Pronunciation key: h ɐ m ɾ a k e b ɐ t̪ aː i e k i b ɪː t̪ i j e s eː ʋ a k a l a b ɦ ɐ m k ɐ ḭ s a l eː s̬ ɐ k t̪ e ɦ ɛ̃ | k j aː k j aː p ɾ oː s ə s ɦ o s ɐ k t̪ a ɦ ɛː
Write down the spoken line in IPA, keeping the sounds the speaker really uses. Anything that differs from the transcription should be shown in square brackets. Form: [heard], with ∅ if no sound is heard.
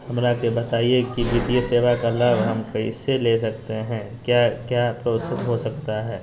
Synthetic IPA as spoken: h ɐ m ɾ a k e b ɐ t̪ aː i e k i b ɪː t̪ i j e s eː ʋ a k a l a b ɦ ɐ m k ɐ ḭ s [e] l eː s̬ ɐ k t̪ e ɦ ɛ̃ | k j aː k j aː p ɾ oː s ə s ɦ o s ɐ k t̪ a ɦ ɛː